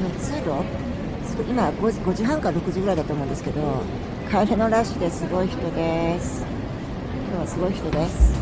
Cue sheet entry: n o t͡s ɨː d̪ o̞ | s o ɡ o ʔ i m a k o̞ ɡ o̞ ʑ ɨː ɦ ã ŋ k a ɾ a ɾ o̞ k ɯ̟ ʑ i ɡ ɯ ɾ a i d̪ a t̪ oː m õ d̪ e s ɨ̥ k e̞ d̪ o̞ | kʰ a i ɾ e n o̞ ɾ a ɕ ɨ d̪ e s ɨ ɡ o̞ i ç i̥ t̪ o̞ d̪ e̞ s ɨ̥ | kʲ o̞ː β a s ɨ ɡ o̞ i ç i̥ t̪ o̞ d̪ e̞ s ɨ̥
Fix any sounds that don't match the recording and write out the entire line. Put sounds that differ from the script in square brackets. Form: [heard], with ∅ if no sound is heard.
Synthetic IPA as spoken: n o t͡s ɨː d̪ o̞ | s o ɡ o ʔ i m a [ɡ] o̞ ɡ o̞ ʑ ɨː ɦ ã ŋ k a ɾ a ɾ o̞ k ɯ̟ ʑ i ɡ ɯ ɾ a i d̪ a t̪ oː m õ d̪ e s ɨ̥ k e̞ d̪ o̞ | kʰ a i ɾ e n o̞ ɾ a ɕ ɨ d̪ e s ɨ ɡ o̞ i ç i̥ t̪ o̞ d̪ e̞ s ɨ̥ | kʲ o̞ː β a s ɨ ɡ o̞ i ç i̥ t̪ o̞ d̪ e̞ s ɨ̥